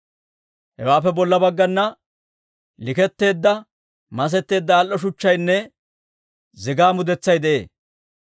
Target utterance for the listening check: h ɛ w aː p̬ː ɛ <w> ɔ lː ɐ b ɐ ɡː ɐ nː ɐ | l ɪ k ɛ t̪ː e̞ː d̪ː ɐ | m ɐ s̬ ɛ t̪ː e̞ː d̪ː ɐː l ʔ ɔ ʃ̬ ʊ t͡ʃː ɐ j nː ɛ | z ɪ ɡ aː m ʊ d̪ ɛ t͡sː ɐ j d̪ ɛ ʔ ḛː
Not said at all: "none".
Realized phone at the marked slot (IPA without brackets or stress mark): b